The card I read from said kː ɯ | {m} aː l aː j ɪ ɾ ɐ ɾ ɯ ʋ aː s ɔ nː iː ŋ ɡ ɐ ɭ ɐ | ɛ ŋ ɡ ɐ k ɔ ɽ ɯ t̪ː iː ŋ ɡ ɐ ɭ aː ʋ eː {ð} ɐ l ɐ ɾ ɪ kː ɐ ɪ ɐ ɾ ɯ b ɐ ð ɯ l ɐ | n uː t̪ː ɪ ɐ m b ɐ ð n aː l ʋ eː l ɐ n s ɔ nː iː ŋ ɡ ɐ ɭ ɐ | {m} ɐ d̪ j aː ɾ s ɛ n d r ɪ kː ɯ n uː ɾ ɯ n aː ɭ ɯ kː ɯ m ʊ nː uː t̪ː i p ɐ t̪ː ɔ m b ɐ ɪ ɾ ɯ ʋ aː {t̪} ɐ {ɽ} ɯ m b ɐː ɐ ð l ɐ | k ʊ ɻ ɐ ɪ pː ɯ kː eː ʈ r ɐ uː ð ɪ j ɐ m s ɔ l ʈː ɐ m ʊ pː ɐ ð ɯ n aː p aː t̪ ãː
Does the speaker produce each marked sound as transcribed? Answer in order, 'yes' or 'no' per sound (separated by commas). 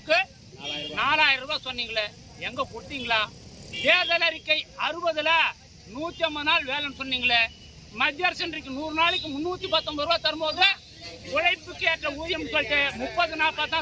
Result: no, yes, yes, yes, no